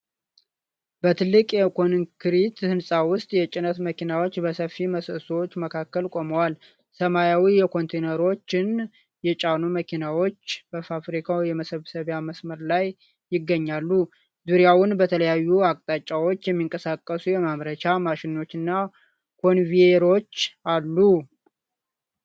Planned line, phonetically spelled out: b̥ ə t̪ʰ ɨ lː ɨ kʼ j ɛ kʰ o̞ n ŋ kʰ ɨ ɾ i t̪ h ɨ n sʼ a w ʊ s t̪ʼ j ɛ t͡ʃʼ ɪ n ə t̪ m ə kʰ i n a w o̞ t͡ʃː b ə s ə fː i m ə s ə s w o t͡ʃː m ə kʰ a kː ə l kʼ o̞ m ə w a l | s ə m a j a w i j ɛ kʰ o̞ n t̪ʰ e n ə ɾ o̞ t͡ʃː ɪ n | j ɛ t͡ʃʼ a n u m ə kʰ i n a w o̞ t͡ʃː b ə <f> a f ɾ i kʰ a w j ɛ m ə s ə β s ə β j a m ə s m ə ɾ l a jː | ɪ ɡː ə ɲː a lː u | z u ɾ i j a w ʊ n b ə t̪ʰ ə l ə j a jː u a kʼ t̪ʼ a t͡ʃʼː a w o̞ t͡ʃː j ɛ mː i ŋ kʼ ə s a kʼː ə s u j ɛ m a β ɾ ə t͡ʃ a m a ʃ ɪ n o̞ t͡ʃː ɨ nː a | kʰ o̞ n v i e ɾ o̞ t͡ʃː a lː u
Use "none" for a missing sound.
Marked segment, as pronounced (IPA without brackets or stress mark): f